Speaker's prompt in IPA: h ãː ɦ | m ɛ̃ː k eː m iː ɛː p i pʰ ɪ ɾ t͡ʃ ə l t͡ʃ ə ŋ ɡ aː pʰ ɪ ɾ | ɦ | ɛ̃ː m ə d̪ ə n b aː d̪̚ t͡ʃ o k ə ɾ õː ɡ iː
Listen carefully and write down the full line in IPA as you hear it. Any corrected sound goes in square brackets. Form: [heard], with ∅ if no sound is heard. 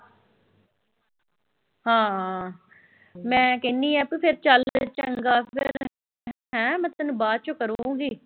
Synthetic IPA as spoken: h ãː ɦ | m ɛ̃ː k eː [n] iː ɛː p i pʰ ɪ ɾ t͡ʃ ə l t͡ʃ ə ŋ ɡ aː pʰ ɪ ɾ | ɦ | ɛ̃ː m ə [t̪] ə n b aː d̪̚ t͡ʃ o k ə ɾ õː ɡ iː

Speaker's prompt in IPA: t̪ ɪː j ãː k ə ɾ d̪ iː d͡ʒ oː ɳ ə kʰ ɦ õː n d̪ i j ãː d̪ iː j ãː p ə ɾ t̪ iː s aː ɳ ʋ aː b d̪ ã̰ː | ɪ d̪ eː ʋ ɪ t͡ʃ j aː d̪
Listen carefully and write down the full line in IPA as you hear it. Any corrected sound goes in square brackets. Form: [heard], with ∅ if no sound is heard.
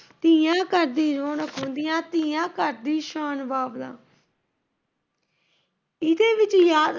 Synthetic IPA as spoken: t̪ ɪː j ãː k ə ɾ d̪ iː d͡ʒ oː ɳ ə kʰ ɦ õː n d̪ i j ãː [t̪] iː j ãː [k] ə ɾ [d̪] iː [ʃ] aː [n] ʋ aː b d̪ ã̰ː | ɪ d̪ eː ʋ ɪ t͡ʃ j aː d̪

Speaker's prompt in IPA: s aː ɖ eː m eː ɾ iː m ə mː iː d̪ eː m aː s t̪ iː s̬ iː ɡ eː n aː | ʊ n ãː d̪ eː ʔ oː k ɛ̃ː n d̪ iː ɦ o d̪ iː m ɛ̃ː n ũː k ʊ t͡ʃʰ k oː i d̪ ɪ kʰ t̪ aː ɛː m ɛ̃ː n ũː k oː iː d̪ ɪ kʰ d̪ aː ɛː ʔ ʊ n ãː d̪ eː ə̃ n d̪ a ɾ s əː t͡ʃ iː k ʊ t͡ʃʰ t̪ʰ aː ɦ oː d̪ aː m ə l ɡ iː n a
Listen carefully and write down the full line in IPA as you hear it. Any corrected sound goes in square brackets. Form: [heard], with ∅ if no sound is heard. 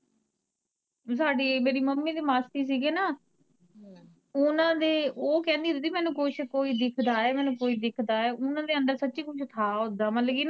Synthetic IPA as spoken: s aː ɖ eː m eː ɾ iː m ə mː iː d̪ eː m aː s t̪ iː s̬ iː ɡ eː n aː | ʊ n ãː d̪ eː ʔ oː k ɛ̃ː n d̪ iː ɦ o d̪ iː m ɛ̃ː n ũː k ʊ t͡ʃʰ k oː [iː] d̪ ɪ kʰ [d̪] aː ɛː m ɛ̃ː n ũː k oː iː d̪ ɪ kʰ d̪ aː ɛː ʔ ʊ n ãː d̪ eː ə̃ n d̪ [ə] ɾ s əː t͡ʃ iː k ʊ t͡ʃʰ t̪ʰ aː ɦ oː d̪ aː m ə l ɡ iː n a

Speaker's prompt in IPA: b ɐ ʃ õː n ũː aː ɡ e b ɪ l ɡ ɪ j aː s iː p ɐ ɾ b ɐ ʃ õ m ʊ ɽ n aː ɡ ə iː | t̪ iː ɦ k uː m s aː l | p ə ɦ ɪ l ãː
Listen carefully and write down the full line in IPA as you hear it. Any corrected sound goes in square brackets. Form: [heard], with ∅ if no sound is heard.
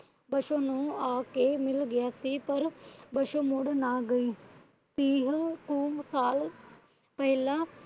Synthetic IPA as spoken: b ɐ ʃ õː n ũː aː [k] e [m] ɪ l ɡ ɪ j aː s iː p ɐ ɾ b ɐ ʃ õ m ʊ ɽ n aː ɡ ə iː | t̪ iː ɦ k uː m s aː l | p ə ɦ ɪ l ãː

